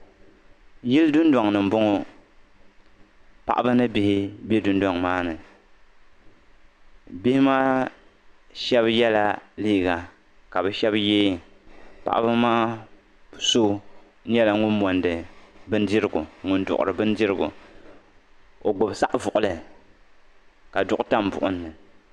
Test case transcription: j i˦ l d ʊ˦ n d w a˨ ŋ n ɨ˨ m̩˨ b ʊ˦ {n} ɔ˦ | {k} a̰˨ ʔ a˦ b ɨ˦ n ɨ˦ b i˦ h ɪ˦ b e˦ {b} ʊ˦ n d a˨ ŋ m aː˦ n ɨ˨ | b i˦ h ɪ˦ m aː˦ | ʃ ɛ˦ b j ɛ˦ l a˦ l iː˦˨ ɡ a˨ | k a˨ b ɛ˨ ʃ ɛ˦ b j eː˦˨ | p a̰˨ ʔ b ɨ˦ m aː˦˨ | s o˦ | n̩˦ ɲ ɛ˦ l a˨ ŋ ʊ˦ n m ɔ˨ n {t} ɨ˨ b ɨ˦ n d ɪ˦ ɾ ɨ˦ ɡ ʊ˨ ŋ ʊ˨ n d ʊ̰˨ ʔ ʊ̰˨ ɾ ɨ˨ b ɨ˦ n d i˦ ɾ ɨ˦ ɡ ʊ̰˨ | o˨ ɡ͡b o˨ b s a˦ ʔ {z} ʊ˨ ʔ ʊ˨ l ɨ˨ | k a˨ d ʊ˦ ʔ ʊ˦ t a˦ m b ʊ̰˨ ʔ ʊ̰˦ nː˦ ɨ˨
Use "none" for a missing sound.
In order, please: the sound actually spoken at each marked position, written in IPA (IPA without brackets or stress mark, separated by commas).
ŋ, p, d, d, v